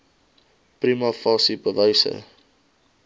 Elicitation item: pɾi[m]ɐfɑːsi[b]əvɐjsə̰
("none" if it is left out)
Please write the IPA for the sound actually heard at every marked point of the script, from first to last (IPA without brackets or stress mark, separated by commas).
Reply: m, p